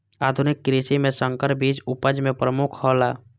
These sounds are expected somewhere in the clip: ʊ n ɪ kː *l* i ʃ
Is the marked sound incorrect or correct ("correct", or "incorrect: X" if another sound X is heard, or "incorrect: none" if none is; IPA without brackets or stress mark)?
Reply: incorrect: ɾ